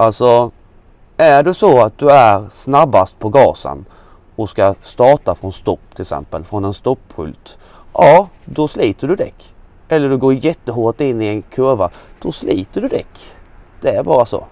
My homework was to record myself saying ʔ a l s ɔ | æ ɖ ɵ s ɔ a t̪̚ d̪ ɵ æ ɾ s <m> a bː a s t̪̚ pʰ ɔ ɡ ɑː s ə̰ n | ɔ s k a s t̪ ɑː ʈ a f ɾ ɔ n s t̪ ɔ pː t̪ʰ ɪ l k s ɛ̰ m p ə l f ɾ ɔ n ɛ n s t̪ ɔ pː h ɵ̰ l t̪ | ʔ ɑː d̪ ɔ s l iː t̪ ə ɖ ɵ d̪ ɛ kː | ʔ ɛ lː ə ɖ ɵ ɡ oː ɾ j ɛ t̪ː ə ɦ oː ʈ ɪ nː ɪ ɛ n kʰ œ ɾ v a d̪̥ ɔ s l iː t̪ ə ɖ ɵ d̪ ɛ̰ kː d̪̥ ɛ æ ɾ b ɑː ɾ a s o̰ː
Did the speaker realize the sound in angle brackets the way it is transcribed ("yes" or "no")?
no